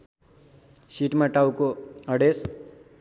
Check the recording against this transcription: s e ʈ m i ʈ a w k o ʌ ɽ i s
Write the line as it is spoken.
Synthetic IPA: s i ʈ m a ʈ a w k o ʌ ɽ e s